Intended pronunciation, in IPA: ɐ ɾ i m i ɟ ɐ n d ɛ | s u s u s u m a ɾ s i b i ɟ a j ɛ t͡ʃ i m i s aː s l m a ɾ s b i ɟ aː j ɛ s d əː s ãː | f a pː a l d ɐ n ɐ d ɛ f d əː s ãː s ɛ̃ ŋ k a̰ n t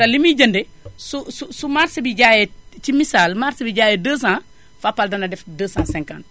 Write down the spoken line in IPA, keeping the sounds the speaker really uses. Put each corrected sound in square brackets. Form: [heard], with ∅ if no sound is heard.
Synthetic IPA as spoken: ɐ [l] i m i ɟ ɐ n d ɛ | s u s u s u m a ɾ s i b i ɟ a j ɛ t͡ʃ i m i s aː [∅] l m a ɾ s b i ɟ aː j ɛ [∅] d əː s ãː | f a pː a l d ɐ n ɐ d ɛ f d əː s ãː s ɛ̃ ŋ k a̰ n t